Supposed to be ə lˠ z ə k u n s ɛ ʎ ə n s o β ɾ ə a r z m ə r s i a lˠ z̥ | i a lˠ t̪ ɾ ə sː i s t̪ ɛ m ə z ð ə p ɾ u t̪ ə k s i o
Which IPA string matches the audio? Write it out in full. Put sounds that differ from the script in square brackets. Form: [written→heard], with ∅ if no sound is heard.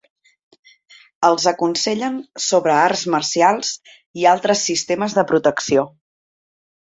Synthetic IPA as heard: ə lˠ z ə k u n s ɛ ʎ ə n s o β ɾ ə a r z m ə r s i a lˠ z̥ | i a lˠ t̪ ɾ ə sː i s t̪ [ɛ→e] m ə z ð ə p ɾ u t̪ ə k s i o